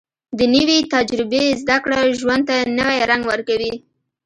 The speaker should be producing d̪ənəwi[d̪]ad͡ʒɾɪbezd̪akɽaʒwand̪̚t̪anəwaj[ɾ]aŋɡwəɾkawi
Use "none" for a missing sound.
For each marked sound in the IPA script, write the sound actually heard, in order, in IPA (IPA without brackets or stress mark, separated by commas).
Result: t̪, ɾ